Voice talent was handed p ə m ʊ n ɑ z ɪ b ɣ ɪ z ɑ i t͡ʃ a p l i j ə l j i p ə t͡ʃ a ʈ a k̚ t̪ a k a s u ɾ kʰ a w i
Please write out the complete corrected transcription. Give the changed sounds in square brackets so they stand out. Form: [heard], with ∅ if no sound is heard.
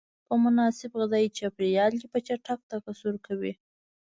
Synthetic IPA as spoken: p ə m ʊ n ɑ [s] ɪ b ɣ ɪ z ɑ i t͡ʃ a p [ɾ] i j [ɑ] l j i p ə t͡ʃ a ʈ a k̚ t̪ a k a s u ɾ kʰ a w i